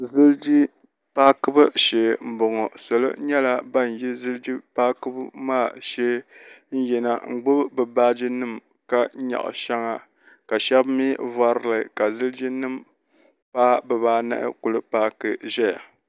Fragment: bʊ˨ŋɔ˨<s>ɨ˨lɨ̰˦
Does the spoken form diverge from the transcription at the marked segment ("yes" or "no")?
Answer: no